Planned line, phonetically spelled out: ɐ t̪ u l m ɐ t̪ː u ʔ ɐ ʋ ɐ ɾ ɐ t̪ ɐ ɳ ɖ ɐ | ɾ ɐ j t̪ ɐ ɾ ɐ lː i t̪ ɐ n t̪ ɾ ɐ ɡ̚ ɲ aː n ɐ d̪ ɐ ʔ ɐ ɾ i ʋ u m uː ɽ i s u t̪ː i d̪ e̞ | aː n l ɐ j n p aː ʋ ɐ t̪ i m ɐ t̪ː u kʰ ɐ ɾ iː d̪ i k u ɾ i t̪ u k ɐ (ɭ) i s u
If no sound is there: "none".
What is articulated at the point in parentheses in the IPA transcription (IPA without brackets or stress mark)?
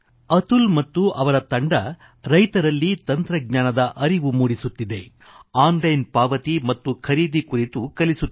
l